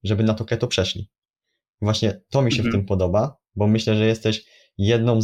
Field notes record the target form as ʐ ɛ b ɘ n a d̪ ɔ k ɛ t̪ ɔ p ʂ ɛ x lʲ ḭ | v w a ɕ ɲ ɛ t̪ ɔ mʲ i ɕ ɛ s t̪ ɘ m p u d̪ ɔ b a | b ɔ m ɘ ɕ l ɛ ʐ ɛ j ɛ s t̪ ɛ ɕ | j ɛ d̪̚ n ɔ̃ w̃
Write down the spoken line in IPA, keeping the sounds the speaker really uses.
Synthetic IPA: ʐ ɛ b ɘ n a t̪ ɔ k ɛ t̪ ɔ p ʂ ɛ ʂ lʲ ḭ | v w a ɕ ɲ ɛ t̪ ɔ mʲ i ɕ ɛ f t̪ ɘ m p ɔ d̪ ɔ b a | b ɔ m ɘ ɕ l ɛ ʐ ɛ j ɛ s t̪ ɛ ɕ | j ɛ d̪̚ n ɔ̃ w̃